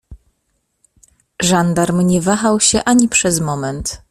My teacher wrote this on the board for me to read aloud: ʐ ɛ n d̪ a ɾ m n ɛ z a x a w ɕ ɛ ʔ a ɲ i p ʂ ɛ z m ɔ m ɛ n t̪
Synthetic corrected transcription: ʐ a n d̪ a ɾ m ɲ ɛ v a x a w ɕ ɛ ʔ a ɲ i p ʂ ɛ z m ɔ m ɛ n t̪